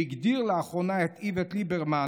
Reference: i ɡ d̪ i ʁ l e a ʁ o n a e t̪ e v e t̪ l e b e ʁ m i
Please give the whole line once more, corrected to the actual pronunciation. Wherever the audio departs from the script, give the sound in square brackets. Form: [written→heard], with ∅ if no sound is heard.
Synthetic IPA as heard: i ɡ d̪ i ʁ l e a [ʁ→χ] o n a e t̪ [e→i] v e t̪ l [e→i] b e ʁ m [i→a]